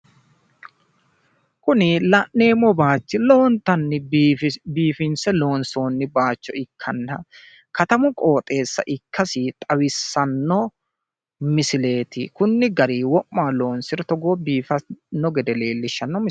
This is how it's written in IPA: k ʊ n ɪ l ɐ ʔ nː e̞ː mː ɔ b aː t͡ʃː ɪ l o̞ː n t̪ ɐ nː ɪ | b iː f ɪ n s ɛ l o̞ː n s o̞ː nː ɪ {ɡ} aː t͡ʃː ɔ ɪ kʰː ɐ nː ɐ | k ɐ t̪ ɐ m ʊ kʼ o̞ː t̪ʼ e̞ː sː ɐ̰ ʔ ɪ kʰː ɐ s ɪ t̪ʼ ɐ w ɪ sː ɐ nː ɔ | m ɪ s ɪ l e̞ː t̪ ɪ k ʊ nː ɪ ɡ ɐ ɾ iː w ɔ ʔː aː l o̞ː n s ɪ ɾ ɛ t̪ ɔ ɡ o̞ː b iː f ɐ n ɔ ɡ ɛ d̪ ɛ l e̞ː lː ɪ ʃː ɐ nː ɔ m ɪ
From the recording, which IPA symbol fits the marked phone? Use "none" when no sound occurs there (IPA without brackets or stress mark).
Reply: b